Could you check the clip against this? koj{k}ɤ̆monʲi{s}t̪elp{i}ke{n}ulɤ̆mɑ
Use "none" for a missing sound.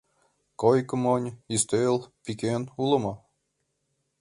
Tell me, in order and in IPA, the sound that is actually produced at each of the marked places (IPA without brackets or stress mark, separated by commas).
k, s, i, n